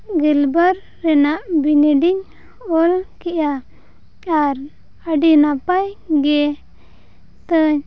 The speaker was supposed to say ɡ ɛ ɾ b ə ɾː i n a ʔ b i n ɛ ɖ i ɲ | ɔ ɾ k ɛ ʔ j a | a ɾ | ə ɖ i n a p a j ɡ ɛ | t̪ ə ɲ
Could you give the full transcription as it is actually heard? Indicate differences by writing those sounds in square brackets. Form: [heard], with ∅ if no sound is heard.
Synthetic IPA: ɡ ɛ [l] b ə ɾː [ɛ] n a ʔ b i n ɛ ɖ i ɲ | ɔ [l] k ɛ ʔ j a | a ɾ | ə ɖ i n a p a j ɡ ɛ | t̪ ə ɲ